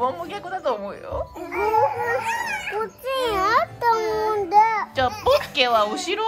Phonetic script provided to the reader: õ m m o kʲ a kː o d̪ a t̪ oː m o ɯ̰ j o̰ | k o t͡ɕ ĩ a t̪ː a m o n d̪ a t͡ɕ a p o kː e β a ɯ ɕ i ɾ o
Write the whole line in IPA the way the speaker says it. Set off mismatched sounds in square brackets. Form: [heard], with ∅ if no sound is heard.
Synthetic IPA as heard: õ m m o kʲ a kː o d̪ a t̪ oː m o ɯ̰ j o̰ | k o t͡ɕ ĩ a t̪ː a m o n d̪ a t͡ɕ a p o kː e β a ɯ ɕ i ɾ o